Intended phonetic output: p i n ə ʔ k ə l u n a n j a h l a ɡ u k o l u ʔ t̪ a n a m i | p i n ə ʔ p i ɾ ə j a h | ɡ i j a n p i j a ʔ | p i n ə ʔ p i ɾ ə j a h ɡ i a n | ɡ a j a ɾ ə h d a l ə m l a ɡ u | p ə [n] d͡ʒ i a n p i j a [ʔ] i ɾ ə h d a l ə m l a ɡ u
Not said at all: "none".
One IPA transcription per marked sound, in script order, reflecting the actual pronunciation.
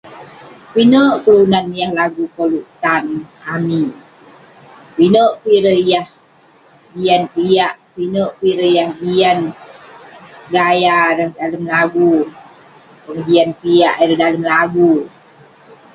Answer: ŋ, ʔ

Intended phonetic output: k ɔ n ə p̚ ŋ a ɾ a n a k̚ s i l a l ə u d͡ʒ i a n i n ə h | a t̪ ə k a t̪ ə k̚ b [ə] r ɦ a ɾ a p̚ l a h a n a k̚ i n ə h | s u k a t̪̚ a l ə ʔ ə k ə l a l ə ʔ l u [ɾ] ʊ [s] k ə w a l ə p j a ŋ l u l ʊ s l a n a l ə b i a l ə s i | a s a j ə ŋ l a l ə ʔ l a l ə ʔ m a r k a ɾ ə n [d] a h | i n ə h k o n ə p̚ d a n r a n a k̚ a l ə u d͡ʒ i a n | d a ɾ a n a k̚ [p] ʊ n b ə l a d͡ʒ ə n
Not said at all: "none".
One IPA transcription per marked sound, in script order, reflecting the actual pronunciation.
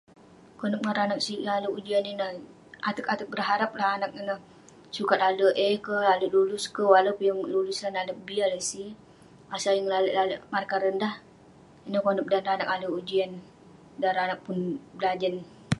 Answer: ə, l, s, d, p

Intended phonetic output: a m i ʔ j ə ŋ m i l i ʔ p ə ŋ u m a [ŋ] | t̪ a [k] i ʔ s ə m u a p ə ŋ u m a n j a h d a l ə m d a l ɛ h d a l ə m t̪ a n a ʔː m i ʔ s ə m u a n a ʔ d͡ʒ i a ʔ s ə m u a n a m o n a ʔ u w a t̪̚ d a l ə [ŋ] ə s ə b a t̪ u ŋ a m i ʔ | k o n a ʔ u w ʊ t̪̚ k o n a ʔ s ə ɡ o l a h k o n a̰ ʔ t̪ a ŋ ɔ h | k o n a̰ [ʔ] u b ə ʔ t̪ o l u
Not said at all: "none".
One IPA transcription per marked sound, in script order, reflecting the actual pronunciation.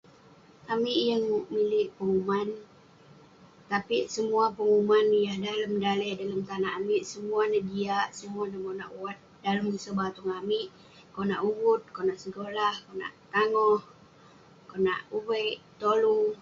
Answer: n, p, m, ʔ

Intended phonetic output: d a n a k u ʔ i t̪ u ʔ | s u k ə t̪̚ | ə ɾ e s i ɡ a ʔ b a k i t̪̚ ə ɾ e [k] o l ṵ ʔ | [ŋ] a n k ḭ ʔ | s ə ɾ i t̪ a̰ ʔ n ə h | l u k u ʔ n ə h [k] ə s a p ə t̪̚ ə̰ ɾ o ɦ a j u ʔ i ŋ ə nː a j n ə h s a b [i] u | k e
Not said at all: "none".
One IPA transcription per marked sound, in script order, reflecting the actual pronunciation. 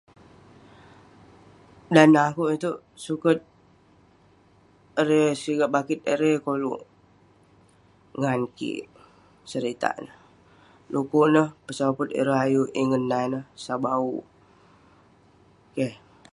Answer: k, ŋ, p, a

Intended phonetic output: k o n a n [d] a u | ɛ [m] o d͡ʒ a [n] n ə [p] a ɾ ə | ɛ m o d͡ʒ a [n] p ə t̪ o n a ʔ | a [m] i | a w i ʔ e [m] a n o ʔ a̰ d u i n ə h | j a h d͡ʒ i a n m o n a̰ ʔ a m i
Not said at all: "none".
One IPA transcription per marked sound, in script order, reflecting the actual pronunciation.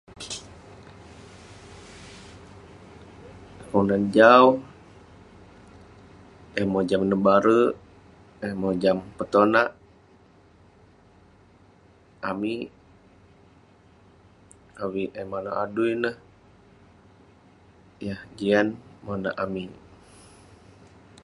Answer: d͡ʒ, m, m, b, m, m, m

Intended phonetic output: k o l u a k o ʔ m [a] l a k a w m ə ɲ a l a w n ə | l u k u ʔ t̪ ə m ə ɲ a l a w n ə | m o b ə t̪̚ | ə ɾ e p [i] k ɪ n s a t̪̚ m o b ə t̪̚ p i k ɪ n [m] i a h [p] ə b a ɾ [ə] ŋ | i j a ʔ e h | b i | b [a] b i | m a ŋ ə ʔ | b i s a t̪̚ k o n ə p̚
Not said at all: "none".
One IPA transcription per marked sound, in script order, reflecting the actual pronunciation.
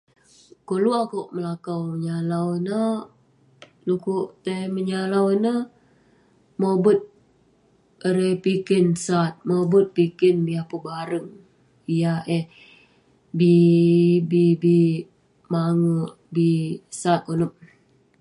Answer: ə, i, b, p, ə, i

